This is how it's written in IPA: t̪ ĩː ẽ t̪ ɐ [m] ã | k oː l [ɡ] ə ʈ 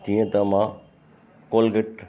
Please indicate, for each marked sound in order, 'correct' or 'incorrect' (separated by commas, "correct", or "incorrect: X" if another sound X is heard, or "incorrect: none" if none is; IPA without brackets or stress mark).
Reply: correct, correct